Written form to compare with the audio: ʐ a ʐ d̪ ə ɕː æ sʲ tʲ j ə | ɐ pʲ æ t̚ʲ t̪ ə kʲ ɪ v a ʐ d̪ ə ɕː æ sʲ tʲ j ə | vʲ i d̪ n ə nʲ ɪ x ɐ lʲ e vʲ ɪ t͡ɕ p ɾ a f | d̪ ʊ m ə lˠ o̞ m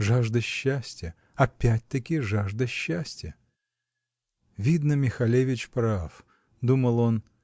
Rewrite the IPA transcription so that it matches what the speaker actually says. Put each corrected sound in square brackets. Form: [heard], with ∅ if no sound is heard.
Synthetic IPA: ʐ a ʐ d̪ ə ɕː æ sʲ tʲ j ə | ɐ pʲ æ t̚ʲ t̪ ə kʲ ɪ [ʐ] a ʐ d̪ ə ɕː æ sʲ tʲ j ə | vʲ i d̪ n ə [mʲ] ɪ x ɐ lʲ e vʲ ɪ t͡ɕ p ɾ a f | d̪ [u] m ə lˠ o̞ [n]